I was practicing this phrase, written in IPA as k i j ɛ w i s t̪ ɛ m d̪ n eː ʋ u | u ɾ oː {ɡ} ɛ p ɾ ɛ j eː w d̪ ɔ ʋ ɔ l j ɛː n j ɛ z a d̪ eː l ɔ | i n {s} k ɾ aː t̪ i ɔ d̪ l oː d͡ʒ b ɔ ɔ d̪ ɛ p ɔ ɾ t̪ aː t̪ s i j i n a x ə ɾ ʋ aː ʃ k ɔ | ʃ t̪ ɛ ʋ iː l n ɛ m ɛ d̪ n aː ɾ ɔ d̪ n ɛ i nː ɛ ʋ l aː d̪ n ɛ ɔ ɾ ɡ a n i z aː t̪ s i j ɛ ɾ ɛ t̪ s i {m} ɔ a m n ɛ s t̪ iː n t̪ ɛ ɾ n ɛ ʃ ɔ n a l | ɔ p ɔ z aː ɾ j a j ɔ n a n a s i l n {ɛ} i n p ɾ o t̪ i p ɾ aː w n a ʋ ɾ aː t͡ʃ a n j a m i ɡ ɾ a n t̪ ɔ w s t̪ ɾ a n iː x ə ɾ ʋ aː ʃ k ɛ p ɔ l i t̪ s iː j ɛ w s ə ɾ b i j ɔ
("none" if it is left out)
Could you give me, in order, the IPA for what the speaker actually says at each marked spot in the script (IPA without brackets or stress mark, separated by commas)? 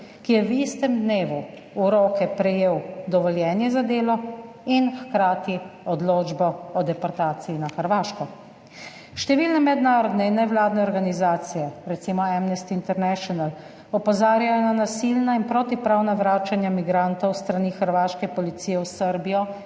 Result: k, x, m, a